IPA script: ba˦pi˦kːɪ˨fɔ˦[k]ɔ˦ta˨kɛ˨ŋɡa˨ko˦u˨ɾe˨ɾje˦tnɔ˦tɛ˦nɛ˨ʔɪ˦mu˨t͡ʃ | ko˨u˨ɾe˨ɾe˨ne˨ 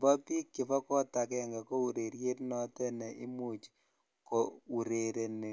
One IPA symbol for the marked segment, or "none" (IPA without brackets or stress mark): k